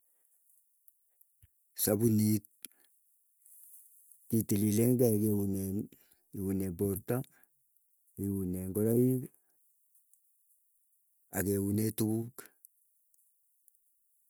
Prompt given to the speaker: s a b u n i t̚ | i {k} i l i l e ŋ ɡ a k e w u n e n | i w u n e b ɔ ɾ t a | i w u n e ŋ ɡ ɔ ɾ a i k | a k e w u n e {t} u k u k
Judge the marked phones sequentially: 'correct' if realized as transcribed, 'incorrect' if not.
incorrect: t, correct

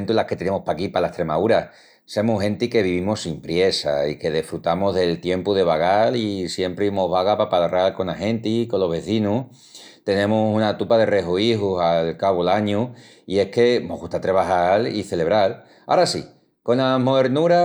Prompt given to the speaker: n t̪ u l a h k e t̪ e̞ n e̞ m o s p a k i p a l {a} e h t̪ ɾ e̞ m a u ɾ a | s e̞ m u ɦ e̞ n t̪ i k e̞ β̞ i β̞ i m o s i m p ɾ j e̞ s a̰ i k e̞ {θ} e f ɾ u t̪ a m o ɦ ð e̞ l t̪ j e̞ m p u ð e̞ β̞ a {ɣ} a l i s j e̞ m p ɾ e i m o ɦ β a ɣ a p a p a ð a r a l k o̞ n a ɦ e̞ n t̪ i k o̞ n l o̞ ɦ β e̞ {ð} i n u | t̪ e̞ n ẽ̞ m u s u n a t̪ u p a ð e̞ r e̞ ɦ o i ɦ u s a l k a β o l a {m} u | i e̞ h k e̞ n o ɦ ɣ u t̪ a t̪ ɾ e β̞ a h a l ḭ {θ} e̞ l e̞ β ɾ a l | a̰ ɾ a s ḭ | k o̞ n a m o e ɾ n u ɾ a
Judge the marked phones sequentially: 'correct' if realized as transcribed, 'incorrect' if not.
correct, incorrect: ð, correct, incorrect: θ, incorrect: ɲ, correct

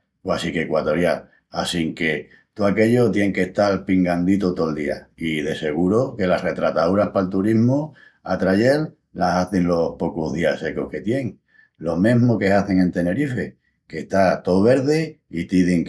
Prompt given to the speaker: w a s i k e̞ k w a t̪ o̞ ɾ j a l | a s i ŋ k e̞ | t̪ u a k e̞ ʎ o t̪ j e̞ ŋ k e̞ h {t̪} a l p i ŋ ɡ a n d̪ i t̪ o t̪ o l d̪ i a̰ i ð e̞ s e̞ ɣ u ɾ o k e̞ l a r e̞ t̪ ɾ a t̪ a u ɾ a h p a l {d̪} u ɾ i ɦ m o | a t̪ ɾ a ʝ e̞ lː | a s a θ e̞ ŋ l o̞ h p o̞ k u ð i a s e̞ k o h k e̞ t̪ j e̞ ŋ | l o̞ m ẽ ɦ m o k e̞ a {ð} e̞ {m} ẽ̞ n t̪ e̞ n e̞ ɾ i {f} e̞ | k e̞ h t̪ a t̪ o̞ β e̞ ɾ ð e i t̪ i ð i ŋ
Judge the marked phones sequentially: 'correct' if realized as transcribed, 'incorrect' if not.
correct, incorrect: t̪, incorrect: θ, incorrect: ŋ, correct

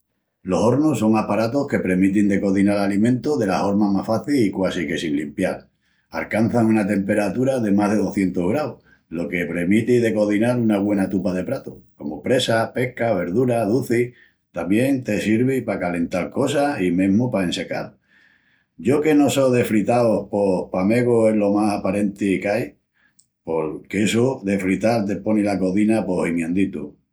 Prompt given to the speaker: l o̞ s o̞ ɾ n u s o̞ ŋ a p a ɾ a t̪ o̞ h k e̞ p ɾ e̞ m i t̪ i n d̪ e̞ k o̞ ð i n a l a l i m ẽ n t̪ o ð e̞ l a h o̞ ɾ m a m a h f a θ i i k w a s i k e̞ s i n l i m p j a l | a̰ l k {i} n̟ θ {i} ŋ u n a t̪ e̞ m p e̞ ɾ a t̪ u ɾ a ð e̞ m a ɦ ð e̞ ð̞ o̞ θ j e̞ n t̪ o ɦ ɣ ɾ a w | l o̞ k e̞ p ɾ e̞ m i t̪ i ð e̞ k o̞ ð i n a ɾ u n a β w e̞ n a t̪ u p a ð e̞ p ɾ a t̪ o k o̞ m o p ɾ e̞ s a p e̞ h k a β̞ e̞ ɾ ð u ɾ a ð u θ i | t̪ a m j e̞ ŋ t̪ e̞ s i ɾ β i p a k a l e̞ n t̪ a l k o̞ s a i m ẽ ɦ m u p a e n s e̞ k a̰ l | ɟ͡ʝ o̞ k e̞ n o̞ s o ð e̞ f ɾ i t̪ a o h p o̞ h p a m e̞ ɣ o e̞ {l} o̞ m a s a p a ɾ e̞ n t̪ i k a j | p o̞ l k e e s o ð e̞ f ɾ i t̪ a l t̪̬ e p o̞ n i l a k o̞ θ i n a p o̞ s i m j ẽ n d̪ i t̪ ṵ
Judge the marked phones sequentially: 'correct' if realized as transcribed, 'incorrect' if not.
incorrect: a, incorrect: a, correct

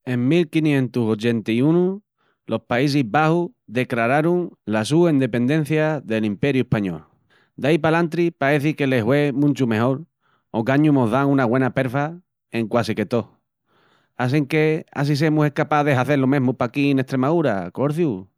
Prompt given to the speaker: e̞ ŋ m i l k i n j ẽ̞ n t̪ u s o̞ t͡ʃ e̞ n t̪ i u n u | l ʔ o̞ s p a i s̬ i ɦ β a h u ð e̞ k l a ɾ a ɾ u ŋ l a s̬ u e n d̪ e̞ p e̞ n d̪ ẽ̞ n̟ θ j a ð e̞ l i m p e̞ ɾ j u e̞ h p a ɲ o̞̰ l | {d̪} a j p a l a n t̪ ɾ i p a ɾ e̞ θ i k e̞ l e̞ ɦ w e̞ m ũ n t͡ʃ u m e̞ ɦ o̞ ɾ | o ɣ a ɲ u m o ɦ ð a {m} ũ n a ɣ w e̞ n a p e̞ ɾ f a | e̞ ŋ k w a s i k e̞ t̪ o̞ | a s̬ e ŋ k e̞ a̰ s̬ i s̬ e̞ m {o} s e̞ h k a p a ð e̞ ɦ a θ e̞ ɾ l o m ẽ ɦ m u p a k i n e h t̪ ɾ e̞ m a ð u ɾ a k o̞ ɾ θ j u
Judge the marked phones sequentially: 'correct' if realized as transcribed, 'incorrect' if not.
correct, incorrect: ŋ, incorrect: u

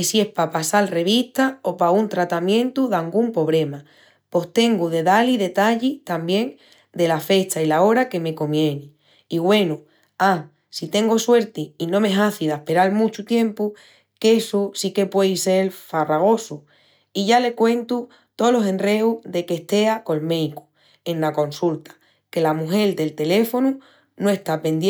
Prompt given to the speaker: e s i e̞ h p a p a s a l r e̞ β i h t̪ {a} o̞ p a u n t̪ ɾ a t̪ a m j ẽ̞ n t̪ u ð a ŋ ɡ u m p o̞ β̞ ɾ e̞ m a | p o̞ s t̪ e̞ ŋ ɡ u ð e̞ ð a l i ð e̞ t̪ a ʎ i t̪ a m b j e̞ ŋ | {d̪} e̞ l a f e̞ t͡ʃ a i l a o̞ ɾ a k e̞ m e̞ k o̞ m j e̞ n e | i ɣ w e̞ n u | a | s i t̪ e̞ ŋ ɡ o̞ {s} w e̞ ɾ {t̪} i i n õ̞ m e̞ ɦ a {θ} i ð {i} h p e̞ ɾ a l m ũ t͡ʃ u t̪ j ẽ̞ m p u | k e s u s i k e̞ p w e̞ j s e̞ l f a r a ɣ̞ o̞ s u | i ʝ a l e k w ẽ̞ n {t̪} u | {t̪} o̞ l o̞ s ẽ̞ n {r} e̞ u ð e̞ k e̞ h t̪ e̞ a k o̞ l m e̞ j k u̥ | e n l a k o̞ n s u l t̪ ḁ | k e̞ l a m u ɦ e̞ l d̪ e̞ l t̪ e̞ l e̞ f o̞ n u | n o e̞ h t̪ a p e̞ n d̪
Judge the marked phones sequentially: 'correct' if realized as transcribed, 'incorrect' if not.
correct, correct, correct, correct, correct, incorrect: a, correct, correct, correct

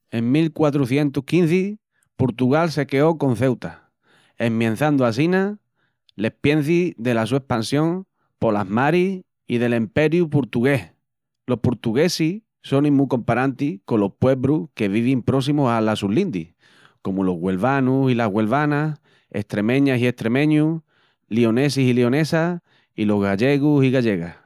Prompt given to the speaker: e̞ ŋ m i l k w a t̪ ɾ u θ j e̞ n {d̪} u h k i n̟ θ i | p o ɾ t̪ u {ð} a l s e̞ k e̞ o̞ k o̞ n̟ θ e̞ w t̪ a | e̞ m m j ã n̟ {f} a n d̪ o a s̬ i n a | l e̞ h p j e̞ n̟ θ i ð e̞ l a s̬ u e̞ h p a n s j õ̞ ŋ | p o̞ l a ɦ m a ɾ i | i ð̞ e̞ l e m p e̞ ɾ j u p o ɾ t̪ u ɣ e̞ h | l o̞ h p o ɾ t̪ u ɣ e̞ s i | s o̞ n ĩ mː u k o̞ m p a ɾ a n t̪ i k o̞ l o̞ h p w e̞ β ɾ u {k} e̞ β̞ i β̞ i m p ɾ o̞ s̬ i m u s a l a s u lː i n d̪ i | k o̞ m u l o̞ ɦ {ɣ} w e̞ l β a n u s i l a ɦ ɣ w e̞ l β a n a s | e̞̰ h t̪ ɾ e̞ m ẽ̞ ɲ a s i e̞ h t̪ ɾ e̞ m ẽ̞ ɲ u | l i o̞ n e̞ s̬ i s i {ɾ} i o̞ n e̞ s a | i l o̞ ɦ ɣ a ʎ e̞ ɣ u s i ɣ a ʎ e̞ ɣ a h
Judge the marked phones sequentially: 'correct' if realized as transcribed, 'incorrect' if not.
incorrect: t̪, incorrect: ɣ, incorrect: θ, correct, correct, incorrect: l

